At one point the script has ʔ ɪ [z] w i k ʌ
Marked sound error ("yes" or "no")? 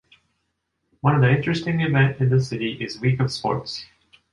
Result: no